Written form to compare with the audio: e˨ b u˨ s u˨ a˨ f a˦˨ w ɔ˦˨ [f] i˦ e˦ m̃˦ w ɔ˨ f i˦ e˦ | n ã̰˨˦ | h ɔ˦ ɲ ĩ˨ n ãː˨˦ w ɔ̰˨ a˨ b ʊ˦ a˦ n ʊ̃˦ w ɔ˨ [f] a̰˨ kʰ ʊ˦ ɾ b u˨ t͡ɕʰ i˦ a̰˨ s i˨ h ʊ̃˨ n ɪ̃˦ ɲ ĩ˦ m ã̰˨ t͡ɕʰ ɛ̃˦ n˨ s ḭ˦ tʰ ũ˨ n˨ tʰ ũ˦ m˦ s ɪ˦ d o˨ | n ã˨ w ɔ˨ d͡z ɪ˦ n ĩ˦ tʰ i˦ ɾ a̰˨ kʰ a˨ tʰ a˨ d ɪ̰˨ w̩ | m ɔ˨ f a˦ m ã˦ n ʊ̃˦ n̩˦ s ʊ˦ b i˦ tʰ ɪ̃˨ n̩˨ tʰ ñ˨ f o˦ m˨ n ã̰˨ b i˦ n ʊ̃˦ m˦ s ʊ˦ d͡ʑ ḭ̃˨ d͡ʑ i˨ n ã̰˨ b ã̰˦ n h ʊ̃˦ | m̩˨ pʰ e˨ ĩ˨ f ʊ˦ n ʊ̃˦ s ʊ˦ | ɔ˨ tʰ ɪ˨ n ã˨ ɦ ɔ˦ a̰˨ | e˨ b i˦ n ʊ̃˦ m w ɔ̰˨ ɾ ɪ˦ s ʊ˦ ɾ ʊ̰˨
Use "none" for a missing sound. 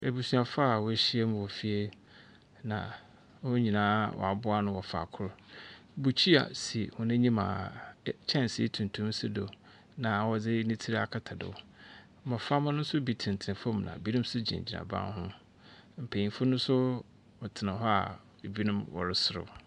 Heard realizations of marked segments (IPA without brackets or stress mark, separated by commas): ɕ, f